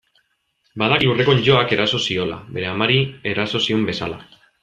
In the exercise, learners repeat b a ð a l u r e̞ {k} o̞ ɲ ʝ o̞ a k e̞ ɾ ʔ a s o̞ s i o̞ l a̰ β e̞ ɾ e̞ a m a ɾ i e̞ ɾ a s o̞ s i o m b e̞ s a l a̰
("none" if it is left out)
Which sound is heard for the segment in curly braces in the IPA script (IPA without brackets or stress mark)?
k